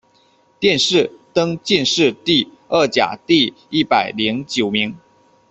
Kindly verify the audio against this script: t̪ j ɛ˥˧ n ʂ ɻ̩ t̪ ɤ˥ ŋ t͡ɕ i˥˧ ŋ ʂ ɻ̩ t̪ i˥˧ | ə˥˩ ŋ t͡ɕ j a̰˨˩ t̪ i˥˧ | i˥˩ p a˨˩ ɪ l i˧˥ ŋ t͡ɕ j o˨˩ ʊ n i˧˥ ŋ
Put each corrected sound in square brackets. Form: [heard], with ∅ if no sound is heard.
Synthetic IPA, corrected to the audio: t̪ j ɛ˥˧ n ʂ ɻ̩ t̪ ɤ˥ ŋ t͡ɕ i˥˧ [n] ʂ ɻ̩ t̪ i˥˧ | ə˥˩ [∅] t͡ɕ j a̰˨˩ t̪ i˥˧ | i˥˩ p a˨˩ ɪ l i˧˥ ŋ t͡ɕ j o˨˩ ʊ [m] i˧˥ ŋ